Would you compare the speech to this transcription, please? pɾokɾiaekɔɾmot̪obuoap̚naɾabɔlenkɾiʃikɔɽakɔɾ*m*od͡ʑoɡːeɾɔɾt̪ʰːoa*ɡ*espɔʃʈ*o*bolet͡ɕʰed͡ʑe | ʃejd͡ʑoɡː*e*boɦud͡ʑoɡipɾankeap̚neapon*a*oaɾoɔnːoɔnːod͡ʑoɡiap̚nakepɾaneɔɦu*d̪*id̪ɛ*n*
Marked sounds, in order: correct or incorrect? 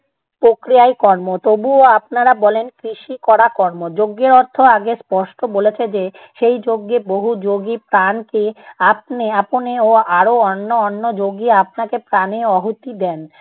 correct, correct, correct, correct, incorrect: e, incorrect: t̪, correct

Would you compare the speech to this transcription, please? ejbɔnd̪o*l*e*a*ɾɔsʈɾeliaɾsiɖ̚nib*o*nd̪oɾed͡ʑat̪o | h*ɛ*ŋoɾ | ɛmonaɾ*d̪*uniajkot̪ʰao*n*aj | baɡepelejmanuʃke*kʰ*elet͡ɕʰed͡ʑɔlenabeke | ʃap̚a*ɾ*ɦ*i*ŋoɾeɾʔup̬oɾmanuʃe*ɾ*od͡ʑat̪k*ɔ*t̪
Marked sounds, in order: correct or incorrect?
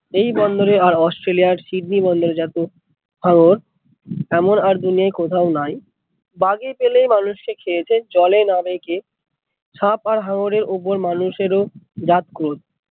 incorrect: ɾ, correct, incorrect: ɔ, incorrect: a, correct, correct, correct, correct, incorrect: a, correct, incorrect: o

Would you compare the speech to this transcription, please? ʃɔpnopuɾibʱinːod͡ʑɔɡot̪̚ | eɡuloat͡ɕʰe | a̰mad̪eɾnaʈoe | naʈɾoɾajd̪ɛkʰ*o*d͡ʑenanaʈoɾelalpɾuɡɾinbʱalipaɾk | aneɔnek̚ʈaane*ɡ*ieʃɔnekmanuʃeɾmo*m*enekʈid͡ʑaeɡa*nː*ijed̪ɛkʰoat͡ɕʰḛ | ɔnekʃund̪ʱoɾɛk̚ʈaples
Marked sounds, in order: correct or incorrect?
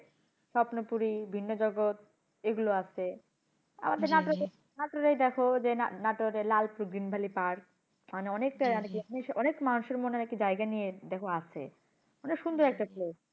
correct, incorrect: k, incorrect: n, incorrect: n

